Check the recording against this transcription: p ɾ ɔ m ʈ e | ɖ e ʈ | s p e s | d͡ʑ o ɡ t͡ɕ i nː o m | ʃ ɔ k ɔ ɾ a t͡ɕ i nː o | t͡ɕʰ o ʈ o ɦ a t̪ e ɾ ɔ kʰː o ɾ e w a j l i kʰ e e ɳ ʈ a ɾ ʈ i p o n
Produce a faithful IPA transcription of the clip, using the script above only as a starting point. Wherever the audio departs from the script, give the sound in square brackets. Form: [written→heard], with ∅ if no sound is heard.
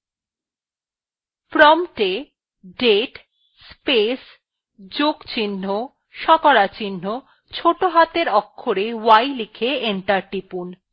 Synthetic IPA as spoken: p ɾ ɔ m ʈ e | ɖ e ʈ | s p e s | d͡ʑ o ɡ t͡ɕ i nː o [m→∅] | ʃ ɔ k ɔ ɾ a t͡ɕ i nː o | t͡ɕʰ o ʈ o ɦ a t̪ e ɾ ɔ kʰː o ɾ e w a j l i kʰ e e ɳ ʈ a ɾ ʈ i p [o→u] n